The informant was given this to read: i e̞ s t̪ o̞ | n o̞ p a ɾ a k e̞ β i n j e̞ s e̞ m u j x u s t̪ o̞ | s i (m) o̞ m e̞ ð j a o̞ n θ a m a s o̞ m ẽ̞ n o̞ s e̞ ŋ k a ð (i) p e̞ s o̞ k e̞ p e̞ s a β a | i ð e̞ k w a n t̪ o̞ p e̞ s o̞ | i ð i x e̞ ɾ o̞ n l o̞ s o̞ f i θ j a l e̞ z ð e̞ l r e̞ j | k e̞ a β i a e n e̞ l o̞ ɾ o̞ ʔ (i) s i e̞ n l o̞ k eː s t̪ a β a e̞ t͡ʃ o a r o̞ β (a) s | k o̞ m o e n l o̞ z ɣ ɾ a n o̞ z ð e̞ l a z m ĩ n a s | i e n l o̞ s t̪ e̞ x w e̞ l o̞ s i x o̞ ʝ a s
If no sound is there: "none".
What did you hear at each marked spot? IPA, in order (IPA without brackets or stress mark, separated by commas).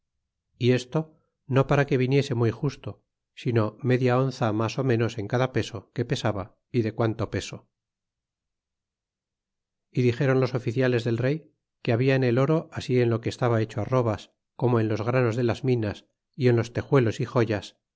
n, a, a, a